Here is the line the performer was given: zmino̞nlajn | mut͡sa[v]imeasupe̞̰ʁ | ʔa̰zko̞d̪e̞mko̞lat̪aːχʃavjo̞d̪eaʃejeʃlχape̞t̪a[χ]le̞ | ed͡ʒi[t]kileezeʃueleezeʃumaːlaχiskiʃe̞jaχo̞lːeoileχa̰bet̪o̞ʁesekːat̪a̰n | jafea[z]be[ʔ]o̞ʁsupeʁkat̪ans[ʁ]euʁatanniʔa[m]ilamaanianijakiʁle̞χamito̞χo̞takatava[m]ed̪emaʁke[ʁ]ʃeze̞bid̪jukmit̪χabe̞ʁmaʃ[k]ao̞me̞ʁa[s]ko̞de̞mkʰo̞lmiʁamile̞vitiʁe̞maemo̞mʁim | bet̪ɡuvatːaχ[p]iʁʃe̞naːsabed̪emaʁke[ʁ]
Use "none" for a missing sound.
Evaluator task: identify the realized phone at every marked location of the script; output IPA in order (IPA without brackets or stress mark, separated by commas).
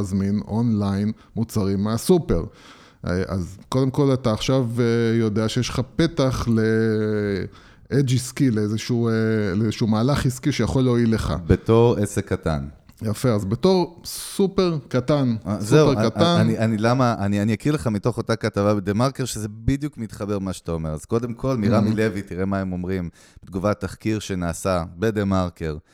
ʁ, χ, s, z, t, z, n, b, ʁ, t, z, k, ʁ